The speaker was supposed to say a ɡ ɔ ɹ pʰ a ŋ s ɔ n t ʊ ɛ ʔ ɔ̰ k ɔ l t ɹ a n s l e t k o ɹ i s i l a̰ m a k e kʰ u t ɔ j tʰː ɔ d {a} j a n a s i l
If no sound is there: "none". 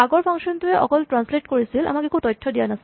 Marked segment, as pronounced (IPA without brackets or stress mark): i